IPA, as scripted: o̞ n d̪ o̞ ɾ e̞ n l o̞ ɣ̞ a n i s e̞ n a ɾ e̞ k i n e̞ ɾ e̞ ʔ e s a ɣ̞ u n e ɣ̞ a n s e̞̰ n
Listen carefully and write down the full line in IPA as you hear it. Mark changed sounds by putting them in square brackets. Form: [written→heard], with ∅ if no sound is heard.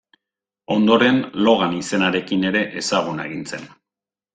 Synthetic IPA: o̞ n d̪ o̞ ɾ e̞ n l o̞ ɣ̞ a n i s e̞ n a ɾ e̞ k i n e̞ ɾ e̞ ʔ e s a ɣ̞ u n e ɣ̞ [a→i] n [s→t͡s] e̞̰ n